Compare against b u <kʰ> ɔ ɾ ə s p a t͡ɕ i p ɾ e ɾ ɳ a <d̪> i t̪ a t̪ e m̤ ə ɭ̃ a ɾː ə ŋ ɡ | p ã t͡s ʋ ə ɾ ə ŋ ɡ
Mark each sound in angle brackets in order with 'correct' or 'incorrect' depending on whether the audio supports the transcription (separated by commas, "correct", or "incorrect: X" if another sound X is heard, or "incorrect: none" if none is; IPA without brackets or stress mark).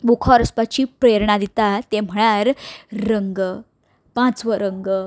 correct, correct